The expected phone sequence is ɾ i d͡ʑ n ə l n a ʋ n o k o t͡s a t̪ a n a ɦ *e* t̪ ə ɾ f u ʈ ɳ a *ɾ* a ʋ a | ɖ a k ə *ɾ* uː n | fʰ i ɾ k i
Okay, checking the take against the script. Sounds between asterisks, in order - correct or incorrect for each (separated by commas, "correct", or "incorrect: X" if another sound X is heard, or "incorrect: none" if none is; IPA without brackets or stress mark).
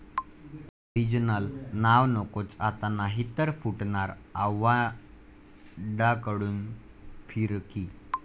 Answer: incorrect: i, correct, incorrect: ɽ